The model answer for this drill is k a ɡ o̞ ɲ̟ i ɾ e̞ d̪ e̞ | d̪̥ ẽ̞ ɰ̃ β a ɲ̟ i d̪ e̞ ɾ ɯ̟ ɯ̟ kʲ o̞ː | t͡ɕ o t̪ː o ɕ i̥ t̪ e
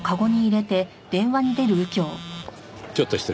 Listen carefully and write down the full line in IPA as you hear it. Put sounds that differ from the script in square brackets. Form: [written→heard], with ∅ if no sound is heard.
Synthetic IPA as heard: k a ɡ o̞ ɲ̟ [i→iː] ɾ e̞ [d̪→t̪] e̞ | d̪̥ ẽ̞ ɰ̃ β a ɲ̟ i d̪ e̞ ɾ ɯ̟ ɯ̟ kʲ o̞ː | t͡ɕ o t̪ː o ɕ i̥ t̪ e